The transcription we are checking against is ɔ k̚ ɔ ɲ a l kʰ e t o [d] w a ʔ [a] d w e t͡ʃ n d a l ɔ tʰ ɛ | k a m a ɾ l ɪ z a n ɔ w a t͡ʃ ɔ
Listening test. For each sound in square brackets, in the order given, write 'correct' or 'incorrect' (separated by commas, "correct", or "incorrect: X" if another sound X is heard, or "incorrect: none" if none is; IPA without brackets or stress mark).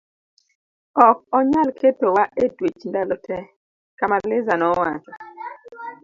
incorrect: none, incorrect: e